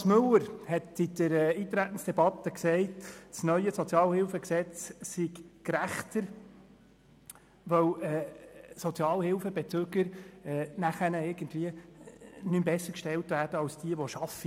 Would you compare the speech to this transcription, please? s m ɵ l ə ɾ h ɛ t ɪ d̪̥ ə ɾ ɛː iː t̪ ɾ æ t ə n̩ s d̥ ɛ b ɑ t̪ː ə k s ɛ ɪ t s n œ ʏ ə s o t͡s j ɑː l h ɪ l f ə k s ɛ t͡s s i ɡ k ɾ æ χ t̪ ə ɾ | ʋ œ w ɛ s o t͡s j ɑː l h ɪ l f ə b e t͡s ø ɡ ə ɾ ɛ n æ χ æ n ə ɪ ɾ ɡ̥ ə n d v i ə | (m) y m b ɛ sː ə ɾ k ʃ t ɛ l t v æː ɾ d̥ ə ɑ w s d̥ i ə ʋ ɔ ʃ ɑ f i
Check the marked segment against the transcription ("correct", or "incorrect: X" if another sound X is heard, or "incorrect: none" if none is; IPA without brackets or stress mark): incorrect: n